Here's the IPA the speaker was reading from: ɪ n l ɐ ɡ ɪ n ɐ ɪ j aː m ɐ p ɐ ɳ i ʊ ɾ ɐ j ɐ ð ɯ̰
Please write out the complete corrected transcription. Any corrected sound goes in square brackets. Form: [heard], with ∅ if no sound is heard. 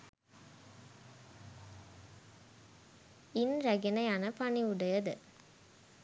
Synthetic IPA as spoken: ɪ n [ɾ] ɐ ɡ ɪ n ɐ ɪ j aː [n] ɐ p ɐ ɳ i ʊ [ɽ] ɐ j ɐ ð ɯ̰